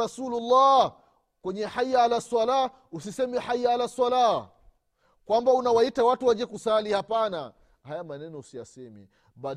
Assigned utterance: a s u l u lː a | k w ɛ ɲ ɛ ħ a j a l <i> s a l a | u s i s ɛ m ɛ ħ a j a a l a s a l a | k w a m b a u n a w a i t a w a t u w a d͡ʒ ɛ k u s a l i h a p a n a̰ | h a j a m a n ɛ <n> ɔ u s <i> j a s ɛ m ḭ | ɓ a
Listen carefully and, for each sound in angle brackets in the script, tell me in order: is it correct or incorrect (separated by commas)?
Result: incorrect, correct, correct